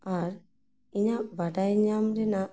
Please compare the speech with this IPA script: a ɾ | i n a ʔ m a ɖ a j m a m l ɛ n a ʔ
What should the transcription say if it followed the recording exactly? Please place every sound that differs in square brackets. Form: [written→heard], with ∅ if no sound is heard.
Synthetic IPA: a ɾ | i [n→ɲ] a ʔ [m→b] a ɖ a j [m→ɲ] a m [l→ɾ] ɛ n a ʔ